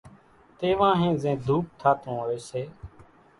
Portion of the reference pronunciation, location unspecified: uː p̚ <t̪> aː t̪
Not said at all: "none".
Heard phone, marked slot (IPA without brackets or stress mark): t̪ʰ